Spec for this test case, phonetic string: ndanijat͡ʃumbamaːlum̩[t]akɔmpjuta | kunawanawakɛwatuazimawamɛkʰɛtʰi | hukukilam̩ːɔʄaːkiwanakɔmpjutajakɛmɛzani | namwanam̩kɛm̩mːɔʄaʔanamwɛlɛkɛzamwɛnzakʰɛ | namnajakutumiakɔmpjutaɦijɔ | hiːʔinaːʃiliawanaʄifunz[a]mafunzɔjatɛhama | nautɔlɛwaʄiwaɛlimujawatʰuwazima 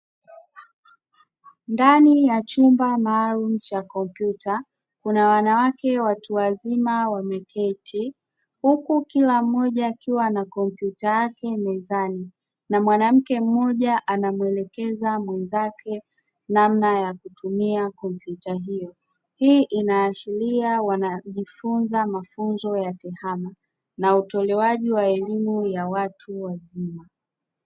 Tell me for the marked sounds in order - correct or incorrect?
incorrect, correct

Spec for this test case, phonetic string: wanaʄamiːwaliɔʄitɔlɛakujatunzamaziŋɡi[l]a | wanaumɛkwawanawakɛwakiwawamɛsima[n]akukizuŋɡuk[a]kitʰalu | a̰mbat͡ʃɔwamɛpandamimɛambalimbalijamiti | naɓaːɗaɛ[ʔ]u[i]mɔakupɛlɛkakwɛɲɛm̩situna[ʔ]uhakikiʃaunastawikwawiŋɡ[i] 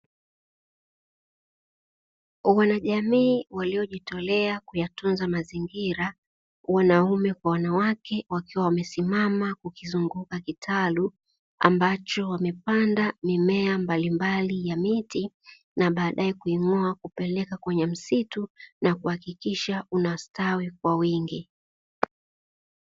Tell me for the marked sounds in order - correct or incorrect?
incorrect, incorrect, correct, incorrect, correct, incorrect, correct

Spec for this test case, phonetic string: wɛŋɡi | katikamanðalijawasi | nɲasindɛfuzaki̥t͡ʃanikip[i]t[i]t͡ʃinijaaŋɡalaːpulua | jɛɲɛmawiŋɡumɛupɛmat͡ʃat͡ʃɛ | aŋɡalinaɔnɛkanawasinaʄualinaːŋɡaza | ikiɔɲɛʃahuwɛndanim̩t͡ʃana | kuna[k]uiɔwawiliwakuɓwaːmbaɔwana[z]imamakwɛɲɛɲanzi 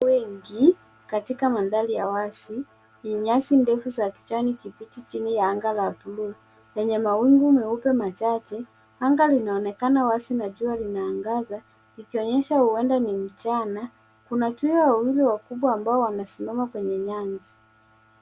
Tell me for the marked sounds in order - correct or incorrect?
correct, correct, incorrect, incorrect

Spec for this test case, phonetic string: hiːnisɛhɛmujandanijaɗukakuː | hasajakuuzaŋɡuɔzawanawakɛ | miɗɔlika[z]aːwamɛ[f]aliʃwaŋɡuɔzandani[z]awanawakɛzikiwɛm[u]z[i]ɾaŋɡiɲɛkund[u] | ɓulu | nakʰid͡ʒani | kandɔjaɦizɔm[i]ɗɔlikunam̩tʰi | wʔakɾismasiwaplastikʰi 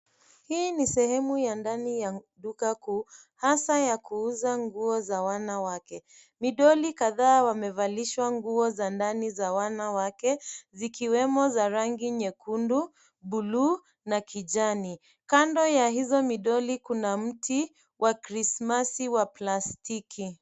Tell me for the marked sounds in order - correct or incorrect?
incorrect, incorrect, correct, incorrect, incorrect, correct, correct

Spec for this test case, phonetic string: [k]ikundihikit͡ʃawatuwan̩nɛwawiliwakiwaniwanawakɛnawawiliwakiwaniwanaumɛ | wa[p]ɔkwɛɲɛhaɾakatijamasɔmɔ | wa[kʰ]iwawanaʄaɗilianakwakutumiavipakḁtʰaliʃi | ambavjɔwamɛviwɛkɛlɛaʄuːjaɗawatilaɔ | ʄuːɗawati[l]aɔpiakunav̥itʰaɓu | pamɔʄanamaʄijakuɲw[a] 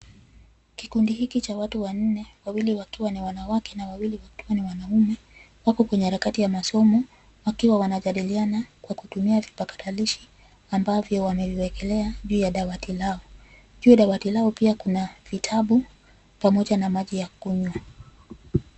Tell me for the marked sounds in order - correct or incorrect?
correct, incorrect, incorrect, correct, correct

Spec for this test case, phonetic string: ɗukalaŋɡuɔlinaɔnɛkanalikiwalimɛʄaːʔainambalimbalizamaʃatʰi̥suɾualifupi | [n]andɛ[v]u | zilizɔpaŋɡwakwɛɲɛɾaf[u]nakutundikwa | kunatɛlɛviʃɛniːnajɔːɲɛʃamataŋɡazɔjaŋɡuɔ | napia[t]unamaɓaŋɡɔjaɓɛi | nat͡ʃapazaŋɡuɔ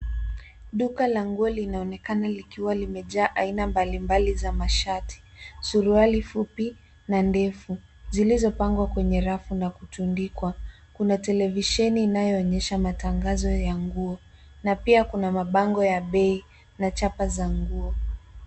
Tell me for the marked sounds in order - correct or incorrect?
correct, incorrect, correct, incorrect

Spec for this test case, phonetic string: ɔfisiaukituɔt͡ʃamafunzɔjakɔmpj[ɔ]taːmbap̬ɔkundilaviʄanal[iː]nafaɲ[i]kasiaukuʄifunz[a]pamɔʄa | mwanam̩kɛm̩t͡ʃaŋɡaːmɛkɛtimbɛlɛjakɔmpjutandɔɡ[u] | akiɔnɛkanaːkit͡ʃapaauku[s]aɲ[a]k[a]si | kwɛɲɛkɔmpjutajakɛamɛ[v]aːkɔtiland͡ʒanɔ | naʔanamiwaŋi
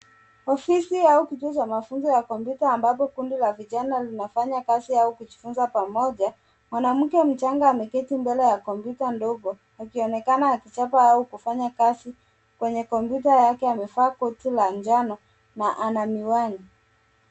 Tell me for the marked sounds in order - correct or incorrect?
incorrect, incorrect, incorrect, correct, incorrect, incorrect, correct, correct, incorrect

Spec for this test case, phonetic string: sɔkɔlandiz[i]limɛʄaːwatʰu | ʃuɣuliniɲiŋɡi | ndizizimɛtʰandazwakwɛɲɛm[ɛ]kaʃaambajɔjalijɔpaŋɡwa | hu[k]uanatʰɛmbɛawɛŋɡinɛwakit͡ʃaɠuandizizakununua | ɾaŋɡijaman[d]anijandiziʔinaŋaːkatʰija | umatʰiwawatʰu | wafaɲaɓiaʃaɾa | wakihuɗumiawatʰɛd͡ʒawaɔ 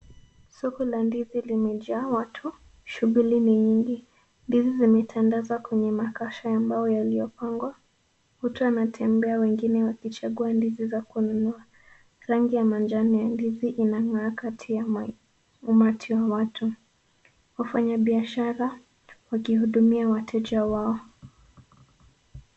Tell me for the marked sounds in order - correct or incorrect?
correct, incorrect, incorrect, incorrect

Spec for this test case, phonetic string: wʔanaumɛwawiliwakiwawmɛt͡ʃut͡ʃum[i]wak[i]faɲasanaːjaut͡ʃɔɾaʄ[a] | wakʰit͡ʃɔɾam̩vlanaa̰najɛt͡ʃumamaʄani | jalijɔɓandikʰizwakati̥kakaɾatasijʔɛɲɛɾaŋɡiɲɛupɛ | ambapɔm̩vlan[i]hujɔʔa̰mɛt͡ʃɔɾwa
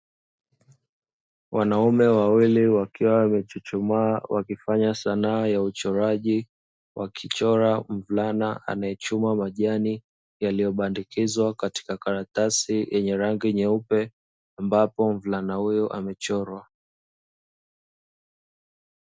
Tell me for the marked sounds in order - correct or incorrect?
incorrect, correct, incorrect, incorrect

